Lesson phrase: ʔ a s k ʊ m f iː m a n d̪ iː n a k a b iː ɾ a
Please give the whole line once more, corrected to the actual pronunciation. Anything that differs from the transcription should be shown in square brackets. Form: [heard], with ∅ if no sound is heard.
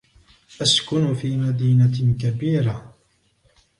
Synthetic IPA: ʔ a s k ʊ [n] f iː m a [∅] d̪ iː n a k a b iː ɾ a